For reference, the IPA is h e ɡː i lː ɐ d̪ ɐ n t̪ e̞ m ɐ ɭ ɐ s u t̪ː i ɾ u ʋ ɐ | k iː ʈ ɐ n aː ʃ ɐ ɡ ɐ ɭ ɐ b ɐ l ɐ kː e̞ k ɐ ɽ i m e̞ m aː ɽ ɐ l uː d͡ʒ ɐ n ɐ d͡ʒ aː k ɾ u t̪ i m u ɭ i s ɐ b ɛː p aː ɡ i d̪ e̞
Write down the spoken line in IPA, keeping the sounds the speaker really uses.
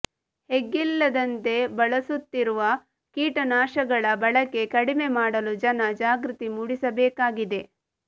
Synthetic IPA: h e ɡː i lː ɐ d̪ ɐ n t̪ e̞ b ɐ ɭ ɐ s u t̪ː i ɾ u ʋ ɐ | k iː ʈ ɐ n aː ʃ ɐ ɡ ɐ ɭ ɐ b ɐ ɭ ɐ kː e̞ k ɐ ɽ i m e̞ m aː ɽ ɐ l u d͡ʒ ɐ n ɐ d͡ʒ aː ɡ ɾ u t̪ i m u ɽ i s ɐ b ɛː k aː ɡ i d̪ e̞